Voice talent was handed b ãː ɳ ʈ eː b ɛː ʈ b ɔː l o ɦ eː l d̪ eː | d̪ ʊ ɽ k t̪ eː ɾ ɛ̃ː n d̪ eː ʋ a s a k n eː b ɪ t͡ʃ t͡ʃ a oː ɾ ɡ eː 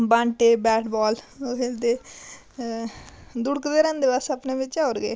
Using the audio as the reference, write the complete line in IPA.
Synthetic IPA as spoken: b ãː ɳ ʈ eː b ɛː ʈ b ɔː l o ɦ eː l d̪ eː | d̪ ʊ ɽ k d̪ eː ɾ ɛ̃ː n d̪ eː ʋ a s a p n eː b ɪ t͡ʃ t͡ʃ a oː ɾ ɡ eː